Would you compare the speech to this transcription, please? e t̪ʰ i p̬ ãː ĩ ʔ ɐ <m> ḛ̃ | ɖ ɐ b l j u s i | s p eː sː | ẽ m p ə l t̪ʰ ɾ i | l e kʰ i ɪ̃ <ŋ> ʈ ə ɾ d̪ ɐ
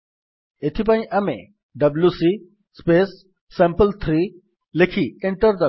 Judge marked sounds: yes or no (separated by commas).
yes, no